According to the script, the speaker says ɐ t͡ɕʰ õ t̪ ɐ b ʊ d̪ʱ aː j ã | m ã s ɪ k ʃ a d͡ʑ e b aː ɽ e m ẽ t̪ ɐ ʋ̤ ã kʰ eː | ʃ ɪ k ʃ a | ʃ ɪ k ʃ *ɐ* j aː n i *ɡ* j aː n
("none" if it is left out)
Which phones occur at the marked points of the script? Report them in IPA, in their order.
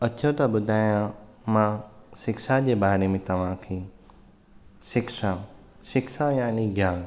a, ɡ

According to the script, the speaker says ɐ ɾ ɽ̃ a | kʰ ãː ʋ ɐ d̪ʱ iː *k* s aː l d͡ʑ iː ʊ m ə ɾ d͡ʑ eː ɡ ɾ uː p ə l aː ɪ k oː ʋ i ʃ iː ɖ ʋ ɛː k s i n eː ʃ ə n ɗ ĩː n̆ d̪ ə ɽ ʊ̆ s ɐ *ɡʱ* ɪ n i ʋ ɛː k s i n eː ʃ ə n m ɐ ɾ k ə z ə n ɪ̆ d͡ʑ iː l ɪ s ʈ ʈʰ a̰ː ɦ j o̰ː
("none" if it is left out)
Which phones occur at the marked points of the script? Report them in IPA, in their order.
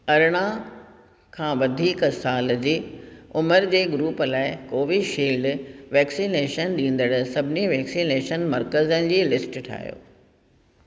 k, bʱ

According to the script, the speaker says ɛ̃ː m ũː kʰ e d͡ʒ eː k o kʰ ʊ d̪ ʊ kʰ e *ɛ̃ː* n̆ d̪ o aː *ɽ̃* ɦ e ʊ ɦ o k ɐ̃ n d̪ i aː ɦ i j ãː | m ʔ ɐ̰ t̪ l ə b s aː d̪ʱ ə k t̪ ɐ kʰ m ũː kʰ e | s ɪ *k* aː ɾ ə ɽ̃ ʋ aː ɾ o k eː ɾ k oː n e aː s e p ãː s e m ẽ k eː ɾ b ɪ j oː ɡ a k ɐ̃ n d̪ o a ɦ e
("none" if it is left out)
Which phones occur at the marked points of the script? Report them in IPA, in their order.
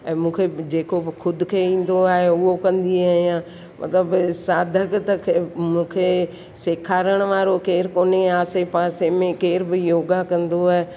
ĩː, none, kʰ

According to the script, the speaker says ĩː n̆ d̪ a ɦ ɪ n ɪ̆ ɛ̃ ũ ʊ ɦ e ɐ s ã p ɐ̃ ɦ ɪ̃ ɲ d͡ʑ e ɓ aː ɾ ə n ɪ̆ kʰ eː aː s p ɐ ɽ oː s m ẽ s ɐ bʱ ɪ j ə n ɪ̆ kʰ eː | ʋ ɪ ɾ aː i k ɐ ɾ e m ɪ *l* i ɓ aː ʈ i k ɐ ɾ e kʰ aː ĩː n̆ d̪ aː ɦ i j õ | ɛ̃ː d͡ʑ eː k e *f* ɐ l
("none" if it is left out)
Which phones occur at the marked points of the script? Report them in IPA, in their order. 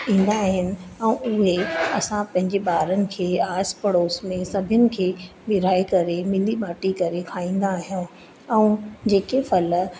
l, f

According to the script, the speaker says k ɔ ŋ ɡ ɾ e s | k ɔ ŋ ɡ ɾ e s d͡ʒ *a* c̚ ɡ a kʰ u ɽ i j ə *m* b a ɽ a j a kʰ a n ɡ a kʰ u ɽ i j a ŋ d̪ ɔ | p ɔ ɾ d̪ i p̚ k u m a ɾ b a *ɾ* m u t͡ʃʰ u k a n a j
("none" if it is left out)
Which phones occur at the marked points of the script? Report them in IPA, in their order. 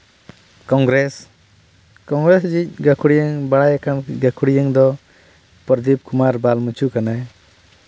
i, ŋ, l

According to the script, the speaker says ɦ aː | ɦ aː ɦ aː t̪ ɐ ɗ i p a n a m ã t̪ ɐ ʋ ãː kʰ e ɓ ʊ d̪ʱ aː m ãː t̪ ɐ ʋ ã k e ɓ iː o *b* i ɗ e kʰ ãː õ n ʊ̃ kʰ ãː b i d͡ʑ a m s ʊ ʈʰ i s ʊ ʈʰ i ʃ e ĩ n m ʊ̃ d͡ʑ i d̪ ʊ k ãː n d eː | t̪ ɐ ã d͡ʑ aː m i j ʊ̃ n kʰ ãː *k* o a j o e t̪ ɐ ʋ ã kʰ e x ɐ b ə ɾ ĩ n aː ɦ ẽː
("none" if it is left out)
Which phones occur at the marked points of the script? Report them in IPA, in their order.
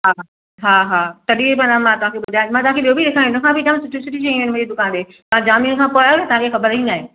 b, p

